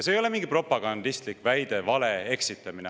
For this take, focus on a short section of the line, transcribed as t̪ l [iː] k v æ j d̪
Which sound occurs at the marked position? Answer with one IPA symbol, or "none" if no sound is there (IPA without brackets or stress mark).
i